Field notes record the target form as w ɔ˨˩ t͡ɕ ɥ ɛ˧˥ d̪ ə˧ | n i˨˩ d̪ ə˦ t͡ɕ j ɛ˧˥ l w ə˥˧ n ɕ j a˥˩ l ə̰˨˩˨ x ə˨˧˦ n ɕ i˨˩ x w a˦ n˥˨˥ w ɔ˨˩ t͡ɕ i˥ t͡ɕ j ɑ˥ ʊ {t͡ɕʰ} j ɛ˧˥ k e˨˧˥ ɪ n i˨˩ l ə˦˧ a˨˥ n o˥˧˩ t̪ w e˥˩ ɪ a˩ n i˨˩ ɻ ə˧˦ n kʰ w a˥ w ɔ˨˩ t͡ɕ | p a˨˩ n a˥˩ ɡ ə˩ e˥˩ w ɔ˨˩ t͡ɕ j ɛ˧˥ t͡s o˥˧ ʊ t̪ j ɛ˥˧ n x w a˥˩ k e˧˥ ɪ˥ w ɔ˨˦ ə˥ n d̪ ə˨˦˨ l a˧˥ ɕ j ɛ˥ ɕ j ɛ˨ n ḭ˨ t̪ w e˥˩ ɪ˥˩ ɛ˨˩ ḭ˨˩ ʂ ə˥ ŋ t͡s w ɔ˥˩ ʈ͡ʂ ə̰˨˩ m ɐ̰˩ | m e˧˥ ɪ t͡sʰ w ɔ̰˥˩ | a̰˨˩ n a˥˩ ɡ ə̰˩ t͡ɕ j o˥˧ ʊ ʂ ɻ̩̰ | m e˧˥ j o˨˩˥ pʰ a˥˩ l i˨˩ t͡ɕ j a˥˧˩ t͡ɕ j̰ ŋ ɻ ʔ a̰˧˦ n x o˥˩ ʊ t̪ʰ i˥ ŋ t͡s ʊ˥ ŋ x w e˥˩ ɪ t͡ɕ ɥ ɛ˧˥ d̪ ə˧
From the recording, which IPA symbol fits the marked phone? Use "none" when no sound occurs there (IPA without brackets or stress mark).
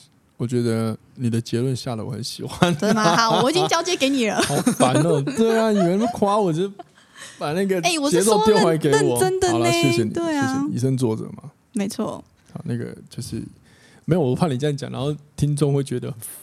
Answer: t͡ɕ